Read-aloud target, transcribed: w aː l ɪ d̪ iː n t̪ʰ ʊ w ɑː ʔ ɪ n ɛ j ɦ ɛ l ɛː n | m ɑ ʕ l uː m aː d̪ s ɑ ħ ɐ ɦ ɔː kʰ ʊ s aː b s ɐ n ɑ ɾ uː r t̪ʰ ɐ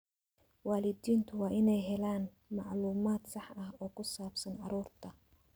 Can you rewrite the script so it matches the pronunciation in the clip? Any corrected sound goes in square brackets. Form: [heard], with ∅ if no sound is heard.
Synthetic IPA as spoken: w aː l ɪ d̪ iː n t̪ʰ ʊ w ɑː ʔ ɪ n ɛ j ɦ ɛ l [aː] n | m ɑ ʕ l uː m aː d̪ s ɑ ħ ɐ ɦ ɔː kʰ ʊ s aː b s ɐ n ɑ ɾ uː r t̪ʰ ɐ

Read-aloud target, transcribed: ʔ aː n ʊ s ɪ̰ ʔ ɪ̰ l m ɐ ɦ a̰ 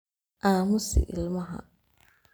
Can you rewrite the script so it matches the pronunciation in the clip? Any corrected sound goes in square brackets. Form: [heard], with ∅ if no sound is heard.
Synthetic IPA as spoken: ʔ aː [m] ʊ s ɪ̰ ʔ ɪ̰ l m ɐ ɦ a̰

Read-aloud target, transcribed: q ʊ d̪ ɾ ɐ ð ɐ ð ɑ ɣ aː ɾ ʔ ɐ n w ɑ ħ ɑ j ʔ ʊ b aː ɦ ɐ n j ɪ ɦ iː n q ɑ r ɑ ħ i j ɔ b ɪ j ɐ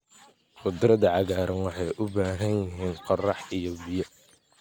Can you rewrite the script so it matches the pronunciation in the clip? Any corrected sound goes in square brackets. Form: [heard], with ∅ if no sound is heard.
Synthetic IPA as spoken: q ʊ d̪ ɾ ɐ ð ɐ [ʕ] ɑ ɣ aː ɾ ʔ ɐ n w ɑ ħ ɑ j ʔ ʊ b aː ɦ ɐ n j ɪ ɦ iː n q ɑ r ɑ ħ i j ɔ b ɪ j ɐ

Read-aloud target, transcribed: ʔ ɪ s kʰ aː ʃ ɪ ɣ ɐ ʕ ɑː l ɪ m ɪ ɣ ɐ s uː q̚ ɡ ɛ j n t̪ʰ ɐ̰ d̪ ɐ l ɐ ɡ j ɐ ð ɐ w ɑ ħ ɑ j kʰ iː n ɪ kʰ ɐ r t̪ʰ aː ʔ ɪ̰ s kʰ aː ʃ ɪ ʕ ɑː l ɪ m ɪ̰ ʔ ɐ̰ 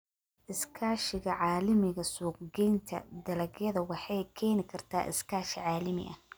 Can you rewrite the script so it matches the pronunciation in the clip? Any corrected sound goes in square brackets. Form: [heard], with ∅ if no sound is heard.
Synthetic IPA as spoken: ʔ ɪ s kʰ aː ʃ ɪ ɣ ɐ ʕ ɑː l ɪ m ɪ ɣ ɐ s uː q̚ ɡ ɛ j n t̪ʰ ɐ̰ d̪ ɐ l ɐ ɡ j ɐ ð ɐ w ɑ ħ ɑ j kʰ [ɛː] n ɪ kʰ ɐ r t̪ʰ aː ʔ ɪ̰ s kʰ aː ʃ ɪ ʕ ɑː l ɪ m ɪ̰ ʔ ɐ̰

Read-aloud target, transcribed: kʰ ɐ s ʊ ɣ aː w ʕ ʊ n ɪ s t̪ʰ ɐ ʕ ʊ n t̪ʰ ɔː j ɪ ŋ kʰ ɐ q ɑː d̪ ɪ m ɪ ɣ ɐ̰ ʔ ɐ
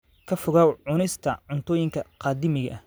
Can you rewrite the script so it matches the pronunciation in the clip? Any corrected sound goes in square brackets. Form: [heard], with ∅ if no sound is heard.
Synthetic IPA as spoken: kʰ ɐ [f] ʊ ɣ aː w ʕ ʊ n ɪ s t̪ʰ ɐ ʕ ʊ n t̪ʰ ɔː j ɪ ŋ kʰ ɐ q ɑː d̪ ɪ m ɪ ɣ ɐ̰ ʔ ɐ

